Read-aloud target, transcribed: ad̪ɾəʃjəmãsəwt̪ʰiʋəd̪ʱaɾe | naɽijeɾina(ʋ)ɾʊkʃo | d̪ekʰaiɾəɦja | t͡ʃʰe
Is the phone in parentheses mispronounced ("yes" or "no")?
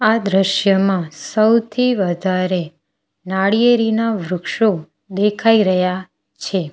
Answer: no